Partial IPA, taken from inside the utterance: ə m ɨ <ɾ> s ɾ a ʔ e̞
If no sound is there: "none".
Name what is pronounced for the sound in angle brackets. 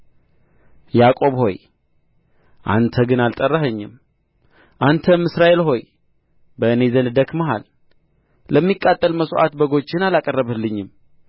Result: none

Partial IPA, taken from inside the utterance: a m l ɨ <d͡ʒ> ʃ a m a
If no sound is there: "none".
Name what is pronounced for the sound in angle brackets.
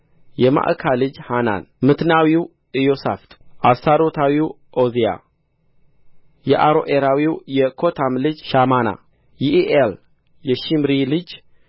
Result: d͡ʒ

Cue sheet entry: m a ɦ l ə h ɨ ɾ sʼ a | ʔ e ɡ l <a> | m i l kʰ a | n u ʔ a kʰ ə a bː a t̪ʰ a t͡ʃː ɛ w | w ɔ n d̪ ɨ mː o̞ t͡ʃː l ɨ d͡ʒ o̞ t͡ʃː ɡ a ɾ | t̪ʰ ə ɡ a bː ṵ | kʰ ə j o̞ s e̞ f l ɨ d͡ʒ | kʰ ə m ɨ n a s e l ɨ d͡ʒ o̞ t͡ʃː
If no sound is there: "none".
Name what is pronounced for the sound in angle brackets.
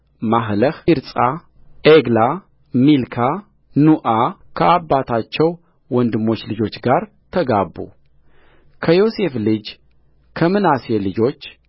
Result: a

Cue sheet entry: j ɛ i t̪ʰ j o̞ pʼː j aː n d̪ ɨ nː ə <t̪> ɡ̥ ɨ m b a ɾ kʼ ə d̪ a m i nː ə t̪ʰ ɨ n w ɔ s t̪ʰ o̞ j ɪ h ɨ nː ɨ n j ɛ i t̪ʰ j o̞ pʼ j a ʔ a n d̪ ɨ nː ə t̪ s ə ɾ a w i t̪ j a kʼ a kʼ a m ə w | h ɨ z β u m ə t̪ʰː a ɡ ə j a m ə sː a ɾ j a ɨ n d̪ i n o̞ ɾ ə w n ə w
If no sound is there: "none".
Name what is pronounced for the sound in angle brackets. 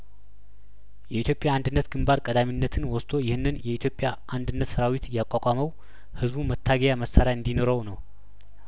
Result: t̪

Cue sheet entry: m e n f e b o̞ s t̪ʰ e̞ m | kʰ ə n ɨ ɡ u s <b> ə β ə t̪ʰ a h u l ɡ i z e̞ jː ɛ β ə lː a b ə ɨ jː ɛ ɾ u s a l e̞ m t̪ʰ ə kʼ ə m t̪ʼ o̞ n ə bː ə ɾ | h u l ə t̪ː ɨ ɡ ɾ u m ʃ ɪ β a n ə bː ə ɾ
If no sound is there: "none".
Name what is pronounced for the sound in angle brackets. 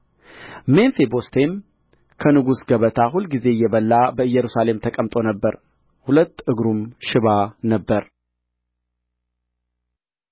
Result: ɡ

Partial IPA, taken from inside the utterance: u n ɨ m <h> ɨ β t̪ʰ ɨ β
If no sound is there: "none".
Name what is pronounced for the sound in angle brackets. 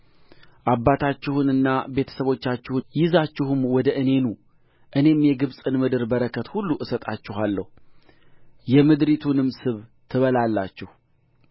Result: s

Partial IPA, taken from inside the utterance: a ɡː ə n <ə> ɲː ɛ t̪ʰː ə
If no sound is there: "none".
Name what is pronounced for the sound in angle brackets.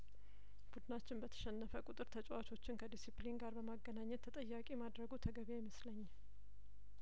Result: a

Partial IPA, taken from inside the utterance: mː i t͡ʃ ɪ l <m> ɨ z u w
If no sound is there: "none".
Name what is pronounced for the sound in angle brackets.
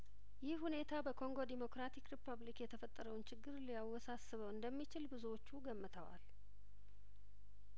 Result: b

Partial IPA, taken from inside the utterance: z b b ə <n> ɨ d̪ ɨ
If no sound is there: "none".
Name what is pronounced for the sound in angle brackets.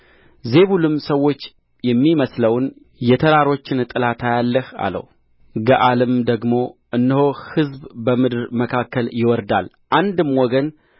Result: m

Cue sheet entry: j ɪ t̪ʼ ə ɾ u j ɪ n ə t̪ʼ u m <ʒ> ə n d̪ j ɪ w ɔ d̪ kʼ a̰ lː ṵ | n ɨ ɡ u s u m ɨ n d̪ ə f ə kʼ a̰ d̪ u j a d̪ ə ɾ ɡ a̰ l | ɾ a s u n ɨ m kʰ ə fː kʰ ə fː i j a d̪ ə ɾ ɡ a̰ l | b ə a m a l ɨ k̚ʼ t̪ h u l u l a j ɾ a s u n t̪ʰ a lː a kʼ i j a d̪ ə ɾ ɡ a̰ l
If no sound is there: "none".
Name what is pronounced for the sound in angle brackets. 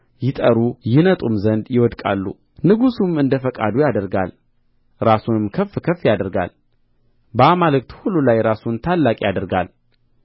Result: z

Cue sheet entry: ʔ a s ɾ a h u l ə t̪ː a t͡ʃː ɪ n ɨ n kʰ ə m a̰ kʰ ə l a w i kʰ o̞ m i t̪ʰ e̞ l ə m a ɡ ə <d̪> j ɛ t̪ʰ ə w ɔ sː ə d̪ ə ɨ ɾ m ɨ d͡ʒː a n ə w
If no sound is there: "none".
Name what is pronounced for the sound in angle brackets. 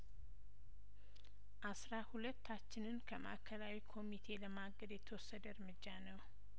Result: d̪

